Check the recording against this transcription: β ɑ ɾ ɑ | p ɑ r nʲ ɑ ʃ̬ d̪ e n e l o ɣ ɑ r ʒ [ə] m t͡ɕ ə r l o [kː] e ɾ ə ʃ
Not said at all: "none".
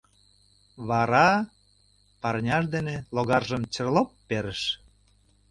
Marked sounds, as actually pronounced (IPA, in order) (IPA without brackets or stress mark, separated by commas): ə, pː